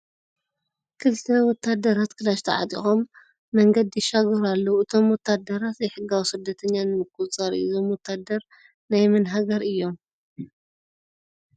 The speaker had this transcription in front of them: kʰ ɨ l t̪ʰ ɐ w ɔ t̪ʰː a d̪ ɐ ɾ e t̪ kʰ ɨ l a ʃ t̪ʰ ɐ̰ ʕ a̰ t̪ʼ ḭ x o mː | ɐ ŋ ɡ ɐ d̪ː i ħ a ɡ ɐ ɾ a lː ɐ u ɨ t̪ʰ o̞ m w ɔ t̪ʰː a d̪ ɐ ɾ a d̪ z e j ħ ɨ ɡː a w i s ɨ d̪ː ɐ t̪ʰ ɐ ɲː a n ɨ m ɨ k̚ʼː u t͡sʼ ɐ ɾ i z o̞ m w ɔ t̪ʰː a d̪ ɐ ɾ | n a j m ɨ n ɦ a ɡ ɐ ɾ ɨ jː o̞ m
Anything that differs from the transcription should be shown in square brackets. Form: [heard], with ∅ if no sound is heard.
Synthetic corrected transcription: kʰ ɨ l t̪ʰ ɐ w ɔ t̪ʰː a d̪ ɐ ɾ [a] t̪ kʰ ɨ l a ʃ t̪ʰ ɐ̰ ʕ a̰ t̪ʼ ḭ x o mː | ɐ ŋ ɡ ɐ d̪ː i [ʃ] a ɡ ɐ ɾ a lː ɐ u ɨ t̪ʰ o̞ m w ɔ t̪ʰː a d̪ ɐ ɾ a [t̪] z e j ħ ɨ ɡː a w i s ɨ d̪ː ɐ t̪ʰ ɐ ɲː a n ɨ m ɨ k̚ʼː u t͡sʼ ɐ ɾ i z o̞ m w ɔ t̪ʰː a d̪ ɐ ɾ | n a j m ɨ n ɦ a ɡ ɐ ɾ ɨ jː o̞ m